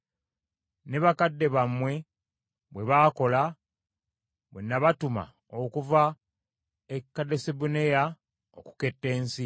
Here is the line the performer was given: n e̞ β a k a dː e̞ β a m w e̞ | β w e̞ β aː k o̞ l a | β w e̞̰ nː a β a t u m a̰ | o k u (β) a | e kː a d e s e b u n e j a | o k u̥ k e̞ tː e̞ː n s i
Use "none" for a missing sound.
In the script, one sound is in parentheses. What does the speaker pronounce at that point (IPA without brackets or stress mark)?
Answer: v